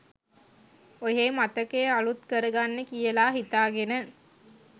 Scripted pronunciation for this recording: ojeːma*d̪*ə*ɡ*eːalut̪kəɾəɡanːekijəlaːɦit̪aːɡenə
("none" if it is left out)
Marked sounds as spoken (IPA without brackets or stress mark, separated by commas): t̪, k